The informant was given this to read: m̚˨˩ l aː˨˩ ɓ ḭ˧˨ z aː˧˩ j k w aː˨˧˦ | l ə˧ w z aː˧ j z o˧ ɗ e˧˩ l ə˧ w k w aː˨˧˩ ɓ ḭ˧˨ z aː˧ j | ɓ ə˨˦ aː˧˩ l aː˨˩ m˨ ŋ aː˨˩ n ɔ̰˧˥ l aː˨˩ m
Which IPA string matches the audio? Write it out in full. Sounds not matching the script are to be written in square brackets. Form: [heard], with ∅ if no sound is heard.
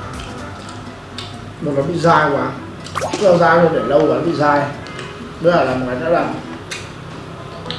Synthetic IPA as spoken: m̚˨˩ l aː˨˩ ɓ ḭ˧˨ z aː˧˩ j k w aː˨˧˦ | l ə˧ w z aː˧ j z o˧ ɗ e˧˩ l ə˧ w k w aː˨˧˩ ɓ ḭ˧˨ z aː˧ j | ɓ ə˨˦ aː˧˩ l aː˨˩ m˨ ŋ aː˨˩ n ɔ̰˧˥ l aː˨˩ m